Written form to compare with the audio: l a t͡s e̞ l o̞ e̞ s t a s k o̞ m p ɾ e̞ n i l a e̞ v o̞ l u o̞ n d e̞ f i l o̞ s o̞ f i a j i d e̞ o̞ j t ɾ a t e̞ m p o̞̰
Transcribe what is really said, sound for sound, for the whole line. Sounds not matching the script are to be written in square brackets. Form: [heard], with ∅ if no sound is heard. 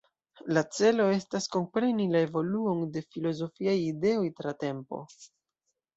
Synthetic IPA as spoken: l a t͡s e̞ l o̞ e̞ s t a s k o̞ m p ɾ e̞ n i l a e̞ v o̞ l u o̞ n d e̞ f i l o̞ [z] o̞ f i a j i d e̞ o̞ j t ɾ a t e̞ m p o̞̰

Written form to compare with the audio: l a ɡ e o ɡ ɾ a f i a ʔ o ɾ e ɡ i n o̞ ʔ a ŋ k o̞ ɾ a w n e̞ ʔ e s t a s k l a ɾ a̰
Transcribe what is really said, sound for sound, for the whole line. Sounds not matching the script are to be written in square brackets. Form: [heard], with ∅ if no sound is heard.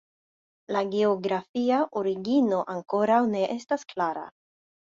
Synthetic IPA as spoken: l a ɡ e o ɡ ɾ a f i a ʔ o ɾ [i] ɡ i n o̞ ʔ a ŋ k o̞ ɾ a w n e̞ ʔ e s t a s k l a ɾ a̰

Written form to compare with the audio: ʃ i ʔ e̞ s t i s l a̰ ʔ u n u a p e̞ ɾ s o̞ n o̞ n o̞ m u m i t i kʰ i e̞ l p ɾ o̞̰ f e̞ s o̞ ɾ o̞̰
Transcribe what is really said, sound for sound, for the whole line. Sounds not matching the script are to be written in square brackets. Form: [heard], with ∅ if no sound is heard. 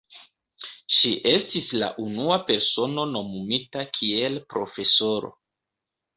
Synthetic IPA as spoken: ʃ i ʔ e̞ s t i s l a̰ ʔ u n u a p e̞ ɾ s o̞ n o̞ n o̞ m u m i t [a] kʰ i e̞ l p ɾ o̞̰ f e̞ s o̞ ɾ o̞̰

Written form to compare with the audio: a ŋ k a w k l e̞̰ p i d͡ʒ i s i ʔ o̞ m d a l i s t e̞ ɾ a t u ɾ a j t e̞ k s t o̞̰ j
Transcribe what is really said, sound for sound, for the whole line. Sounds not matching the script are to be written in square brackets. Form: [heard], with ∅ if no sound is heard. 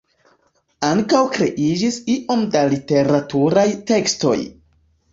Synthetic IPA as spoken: a ŋ k a w k [ɾ] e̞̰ [ʔ] i d͡ʒ i s i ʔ o̞ m d a l i [∅] t e̞ ɾ a t u ɾ a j t e̞ k s t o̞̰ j

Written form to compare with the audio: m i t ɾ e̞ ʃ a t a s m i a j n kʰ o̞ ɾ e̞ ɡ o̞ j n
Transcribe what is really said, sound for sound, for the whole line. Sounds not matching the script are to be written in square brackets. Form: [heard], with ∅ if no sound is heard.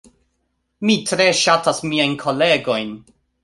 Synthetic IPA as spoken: m i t ɾ e̞ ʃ a t a s m i a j n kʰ o̞ [l] e̞ ɡ o̞ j n

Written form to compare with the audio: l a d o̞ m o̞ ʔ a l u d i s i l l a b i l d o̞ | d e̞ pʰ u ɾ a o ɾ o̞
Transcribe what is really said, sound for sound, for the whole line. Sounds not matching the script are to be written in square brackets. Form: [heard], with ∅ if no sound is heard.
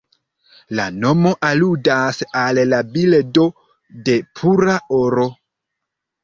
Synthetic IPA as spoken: l a [n] o̞ m o̞ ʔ a l u d [a] s [a] l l a b i l d o̞ | d e̞ pʰ u ɾ a o ɾ o̞

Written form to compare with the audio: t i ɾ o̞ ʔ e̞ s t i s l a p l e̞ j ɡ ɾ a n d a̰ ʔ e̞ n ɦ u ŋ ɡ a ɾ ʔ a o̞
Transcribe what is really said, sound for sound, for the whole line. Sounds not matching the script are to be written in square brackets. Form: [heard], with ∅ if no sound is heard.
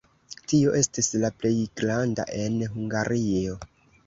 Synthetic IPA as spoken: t i [∅] o̞ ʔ e̞ s t i s l a p l e̞ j ɡ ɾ a n d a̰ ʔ e̞ n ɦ u ŋ ɡ a ɾ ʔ [i] o̞

